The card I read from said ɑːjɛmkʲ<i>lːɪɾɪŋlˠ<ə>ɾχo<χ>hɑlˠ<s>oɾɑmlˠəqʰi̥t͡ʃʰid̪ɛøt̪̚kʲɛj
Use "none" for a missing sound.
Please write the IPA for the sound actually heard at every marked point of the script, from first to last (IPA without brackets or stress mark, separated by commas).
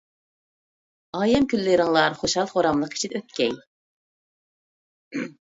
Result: y, ɑ, ʃ, χ